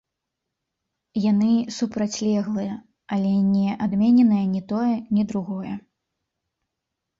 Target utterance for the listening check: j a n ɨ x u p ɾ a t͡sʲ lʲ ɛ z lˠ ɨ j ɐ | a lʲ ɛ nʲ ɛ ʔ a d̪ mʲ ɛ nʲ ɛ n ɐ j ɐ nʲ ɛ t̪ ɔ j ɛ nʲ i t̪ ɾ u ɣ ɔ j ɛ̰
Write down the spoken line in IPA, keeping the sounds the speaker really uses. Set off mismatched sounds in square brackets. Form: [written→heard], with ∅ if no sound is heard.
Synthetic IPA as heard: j a n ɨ [x→s] u p ɾ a t͡sʲ lʲ ɛ [z→ɣ] lˠ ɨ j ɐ | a lʲ ɛ nʲ ɛ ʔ a d̪ mʲ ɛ nʲ ɛ n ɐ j ɐ nʲ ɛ t̪ ɔ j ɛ nʲ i [t̪→d̪] ɾ u ɣ ɔ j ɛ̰